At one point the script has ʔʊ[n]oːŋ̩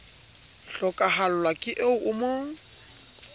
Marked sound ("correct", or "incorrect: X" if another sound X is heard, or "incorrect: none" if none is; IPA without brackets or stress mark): incorrect: m